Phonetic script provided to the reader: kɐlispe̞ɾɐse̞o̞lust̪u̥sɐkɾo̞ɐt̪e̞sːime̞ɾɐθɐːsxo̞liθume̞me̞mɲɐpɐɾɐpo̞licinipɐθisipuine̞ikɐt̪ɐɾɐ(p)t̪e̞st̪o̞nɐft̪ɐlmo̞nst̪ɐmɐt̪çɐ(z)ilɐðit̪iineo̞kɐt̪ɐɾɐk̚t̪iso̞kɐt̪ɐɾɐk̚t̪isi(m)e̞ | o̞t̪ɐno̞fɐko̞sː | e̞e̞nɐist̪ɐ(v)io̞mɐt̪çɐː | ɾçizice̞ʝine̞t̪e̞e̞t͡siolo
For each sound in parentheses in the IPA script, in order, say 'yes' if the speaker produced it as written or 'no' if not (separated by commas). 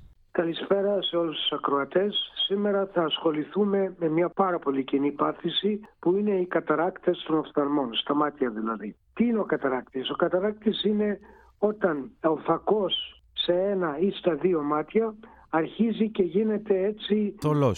no, no, no, no